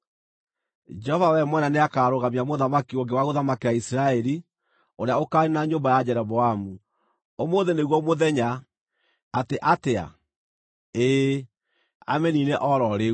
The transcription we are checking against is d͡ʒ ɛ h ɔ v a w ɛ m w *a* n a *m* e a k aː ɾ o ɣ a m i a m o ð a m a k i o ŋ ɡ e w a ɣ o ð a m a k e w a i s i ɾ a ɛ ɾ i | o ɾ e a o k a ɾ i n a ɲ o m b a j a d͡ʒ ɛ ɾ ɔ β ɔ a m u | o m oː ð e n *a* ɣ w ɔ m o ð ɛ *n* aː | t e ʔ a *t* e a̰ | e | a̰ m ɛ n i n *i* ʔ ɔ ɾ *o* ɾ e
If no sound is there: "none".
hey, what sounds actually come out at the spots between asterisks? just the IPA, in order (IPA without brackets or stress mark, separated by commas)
ɛ, n, e, ɲ, t, e, ɔ